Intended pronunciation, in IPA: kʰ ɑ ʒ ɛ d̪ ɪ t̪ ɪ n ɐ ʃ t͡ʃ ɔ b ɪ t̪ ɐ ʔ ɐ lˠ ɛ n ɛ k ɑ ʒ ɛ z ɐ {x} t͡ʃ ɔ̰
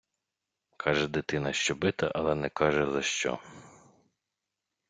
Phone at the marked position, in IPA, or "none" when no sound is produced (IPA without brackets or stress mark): ʃ